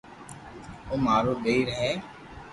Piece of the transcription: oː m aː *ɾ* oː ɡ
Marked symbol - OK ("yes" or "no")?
yes